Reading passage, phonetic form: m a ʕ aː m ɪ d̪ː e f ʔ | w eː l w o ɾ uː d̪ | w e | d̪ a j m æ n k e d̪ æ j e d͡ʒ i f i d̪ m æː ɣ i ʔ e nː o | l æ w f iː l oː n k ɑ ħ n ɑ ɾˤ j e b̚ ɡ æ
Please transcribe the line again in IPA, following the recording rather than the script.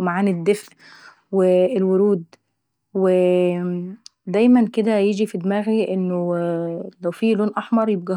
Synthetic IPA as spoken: m a ʕ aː n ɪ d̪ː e f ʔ | w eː l w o ɾ uː d̪ | w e | d̪ æ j m æ n k e d̪ æ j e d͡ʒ i f i d̪ m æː ɣ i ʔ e nː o | l æ w f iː l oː n ʔ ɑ ħ m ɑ ɾˤ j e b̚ ɡ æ

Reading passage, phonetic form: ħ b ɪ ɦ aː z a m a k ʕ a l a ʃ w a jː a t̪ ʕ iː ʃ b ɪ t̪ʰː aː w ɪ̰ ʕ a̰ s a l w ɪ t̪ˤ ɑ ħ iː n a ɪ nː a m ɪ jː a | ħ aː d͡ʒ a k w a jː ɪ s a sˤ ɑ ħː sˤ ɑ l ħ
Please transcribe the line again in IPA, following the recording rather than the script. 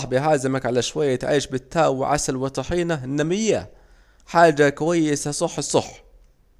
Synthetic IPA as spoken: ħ b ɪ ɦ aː z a m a k ʕ a l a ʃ w a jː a t̪ ʕ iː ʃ b ɪ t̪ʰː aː w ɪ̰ ʕ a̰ s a l w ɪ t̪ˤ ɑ ħ iː n a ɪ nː a m ɪ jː a | ħ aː d͡ʒ a k w a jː ɪ s a sˤ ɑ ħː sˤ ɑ ħ

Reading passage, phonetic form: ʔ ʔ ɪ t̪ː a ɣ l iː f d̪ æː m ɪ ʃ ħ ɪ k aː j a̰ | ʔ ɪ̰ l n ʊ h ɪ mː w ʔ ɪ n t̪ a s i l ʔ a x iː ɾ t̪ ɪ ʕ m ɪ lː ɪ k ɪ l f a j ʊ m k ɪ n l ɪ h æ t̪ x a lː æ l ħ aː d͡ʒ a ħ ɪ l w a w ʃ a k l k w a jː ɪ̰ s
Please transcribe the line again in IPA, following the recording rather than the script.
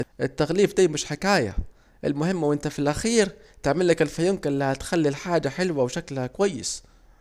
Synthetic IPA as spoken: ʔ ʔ ɪ t̪ː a ɣ l iː f d̪ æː m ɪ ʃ ħ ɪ k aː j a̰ | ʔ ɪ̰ l m ʊ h ɪ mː w ʔ ɪ n t̪ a f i l ʔ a x iː ɾ t̪ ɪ ʕ m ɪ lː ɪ k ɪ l f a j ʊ m k ɪ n l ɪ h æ t̪ x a lː i l ħ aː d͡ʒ a ħ ɪ l w a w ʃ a k l k w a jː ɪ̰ s

